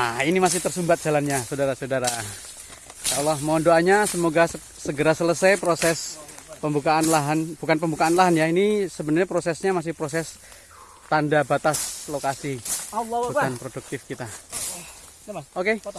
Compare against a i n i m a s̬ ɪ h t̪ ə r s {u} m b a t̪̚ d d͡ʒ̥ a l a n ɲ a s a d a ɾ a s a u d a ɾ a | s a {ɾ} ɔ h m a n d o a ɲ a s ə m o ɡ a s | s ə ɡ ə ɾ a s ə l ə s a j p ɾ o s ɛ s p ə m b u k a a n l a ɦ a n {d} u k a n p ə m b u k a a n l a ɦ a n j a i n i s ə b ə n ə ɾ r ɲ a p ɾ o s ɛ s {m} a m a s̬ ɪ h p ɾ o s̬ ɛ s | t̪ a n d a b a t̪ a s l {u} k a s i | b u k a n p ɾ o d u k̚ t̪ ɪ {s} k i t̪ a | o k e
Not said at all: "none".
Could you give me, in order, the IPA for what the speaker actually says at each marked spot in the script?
u, l, b, ɲ, o, f

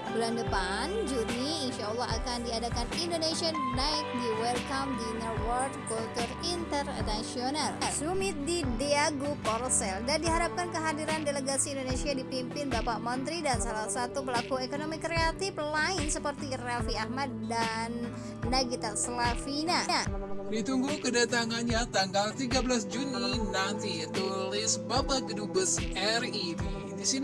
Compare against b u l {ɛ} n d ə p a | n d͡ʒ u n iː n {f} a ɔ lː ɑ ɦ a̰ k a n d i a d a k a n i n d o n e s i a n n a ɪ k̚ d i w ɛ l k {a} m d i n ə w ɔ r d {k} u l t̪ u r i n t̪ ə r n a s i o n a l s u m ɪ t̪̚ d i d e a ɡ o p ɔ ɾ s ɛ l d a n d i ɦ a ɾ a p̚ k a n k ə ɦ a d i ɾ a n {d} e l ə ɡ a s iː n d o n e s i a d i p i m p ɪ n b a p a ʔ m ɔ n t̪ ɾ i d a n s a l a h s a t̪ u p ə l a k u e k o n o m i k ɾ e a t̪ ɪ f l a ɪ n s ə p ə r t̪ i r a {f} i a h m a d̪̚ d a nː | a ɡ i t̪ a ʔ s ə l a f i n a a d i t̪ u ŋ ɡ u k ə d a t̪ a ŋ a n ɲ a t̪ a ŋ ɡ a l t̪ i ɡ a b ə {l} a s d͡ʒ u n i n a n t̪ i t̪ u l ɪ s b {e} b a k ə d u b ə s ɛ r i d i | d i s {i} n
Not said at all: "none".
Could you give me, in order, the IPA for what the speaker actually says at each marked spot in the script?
a, ʃ, a, k, d, f, l, a, i

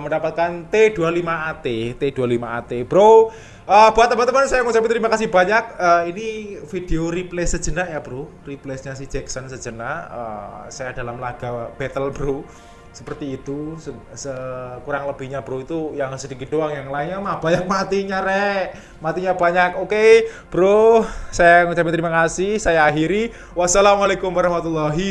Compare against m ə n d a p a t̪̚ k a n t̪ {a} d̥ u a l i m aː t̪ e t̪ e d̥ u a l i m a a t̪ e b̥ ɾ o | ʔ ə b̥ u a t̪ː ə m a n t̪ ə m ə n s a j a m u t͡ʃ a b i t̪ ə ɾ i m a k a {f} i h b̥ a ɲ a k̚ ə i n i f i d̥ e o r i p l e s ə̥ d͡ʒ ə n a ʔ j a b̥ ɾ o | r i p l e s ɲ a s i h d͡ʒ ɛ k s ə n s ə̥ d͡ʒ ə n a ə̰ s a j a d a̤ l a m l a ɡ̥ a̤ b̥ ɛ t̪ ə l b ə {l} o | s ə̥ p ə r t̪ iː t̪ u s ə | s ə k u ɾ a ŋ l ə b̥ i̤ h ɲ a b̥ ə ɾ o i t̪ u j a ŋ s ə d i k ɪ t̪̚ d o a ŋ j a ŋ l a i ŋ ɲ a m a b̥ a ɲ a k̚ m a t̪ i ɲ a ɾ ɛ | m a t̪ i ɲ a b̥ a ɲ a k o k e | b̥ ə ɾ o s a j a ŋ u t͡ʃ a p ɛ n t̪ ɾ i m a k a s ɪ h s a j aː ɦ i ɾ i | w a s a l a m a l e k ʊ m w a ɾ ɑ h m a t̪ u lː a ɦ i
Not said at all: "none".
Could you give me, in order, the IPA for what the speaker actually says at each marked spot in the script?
e, s, ɾ

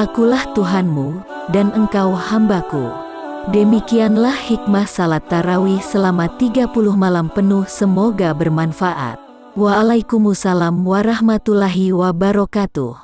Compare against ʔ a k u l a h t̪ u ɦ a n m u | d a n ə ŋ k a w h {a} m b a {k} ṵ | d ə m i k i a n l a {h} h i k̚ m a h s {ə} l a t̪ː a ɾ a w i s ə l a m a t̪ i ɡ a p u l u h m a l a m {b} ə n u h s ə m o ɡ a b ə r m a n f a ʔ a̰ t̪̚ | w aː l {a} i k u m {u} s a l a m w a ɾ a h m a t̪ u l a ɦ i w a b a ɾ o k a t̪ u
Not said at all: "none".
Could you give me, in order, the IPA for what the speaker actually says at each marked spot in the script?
a, k, h, a, p, a, u

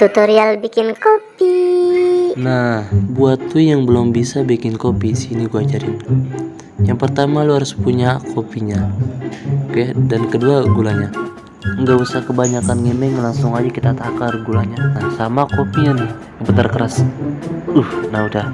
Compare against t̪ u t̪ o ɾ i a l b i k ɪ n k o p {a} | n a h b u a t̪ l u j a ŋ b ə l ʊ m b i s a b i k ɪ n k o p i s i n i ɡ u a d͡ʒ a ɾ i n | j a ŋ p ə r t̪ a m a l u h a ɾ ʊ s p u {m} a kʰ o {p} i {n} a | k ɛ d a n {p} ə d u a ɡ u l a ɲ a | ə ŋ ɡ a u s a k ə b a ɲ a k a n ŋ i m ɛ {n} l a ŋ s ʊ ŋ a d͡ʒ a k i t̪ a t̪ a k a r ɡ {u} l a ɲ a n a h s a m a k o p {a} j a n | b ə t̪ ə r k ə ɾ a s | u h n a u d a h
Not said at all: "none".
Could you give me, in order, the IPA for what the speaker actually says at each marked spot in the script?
i, ɲ, p, ɲ, k, ŋ, u, i

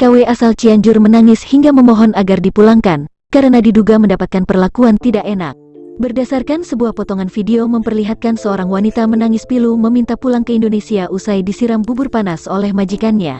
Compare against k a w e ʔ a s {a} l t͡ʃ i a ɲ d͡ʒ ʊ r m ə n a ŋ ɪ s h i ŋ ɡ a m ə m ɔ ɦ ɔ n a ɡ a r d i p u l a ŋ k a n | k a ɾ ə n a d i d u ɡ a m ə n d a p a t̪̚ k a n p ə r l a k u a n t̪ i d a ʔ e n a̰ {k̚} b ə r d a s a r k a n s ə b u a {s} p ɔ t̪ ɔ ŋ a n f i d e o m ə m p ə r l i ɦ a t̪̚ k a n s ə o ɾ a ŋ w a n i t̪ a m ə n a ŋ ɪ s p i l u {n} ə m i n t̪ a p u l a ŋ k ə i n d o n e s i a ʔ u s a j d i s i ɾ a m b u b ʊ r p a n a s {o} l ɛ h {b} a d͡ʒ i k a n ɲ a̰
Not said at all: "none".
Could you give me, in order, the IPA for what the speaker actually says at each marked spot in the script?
a, k̚, h, m, o, m

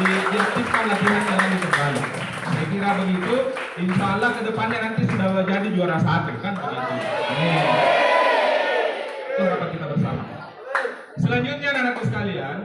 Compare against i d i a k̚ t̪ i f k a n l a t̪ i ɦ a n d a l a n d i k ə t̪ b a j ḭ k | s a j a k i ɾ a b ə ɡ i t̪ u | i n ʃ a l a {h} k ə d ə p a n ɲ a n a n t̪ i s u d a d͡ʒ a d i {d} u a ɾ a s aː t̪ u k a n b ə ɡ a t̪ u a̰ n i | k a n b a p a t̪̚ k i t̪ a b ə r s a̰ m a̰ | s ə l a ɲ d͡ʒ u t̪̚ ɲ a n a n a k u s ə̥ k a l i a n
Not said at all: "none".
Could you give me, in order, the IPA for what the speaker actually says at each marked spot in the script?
h, d͡ʒ

